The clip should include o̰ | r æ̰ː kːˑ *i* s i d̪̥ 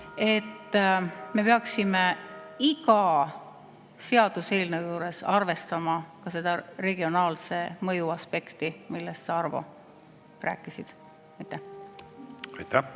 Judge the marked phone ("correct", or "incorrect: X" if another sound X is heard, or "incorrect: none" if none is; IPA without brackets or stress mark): correct